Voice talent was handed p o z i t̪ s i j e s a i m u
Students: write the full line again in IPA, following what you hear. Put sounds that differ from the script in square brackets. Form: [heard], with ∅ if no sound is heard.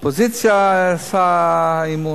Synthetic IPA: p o z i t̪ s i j [a] s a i m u